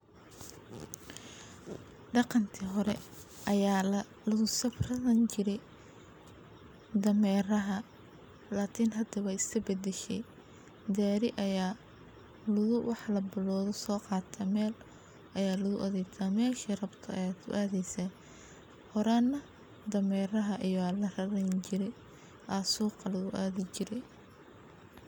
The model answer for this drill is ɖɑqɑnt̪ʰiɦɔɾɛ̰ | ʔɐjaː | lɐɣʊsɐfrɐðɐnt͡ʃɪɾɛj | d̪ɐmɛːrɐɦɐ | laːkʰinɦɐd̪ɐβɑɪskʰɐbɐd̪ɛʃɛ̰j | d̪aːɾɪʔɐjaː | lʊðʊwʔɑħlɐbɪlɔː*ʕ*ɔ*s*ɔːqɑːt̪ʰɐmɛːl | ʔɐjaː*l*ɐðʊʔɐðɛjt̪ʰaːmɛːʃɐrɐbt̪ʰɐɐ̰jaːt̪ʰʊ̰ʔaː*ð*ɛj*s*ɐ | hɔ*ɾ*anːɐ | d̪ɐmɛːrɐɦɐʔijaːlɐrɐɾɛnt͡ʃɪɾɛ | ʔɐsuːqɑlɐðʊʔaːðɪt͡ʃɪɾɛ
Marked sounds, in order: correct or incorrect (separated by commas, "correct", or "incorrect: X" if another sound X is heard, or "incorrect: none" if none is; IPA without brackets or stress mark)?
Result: incorrect: ð, correct, correct, correct, correct, correct